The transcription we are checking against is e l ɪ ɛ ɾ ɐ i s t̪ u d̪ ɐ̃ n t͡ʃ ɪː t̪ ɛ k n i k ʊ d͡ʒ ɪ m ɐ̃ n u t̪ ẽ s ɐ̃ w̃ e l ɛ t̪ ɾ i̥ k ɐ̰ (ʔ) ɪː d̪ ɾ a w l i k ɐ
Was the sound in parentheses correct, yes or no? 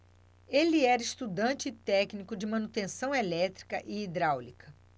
yes